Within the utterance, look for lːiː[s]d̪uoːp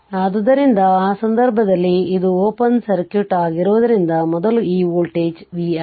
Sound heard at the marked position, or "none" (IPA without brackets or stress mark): none